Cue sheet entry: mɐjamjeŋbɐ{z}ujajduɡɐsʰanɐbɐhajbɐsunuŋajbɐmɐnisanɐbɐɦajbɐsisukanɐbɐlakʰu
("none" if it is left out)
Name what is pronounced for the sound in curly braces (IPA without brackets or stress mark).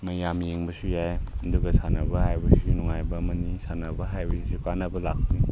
s